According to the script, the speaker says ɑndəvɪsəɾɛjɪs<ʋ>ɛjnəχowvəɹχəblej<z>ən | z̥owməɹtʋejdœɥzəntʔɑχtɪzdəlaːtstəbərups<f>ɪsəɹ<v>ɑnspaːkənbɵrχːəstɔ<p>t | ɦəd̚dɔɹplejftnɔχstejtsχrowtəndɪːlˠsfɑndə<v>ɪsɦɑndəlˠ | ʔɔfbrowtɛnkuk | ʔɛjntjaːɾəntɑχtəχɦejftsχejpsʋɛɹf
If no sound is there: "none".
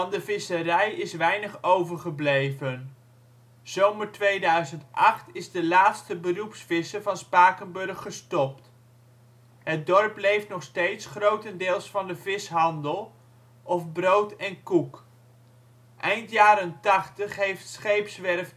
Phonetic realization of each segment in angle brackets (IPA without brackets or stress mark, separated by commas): ʋ, v, f, v, p, v